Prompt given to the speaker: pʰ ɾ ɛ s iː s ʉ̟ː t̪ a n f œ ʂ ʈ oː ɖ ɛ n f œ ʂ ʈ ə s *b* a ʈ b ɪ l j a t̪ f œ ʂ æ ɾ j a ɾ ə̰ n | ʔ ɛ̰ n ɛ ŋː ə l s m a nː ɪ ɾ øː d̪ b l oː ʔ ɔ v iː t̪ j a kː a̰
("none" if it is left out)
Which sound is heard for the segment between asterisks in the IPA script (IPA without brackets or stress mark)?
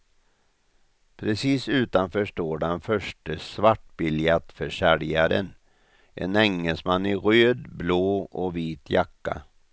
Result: v